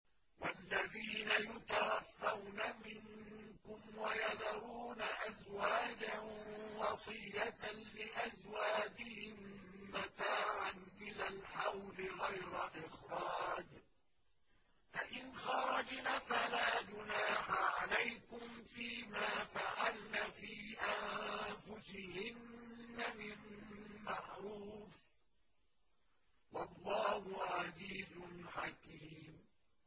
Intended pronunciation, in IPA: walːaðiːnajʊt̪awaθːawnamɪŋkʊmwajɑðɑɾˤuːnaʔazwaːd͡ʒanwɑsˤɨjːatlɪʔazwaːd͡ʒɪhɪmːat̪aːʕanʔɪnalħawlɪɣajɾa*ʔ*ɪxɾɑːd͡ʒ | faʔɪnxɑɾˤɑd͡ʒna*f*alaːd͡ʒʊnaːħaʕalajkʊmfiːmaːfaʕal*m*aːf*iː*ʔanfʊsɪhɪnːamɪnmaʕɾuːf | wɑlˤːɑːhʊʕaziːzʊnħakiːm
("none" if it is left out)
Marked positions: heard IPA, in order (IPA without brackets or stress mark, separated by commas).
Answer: ʔ, f, n, iː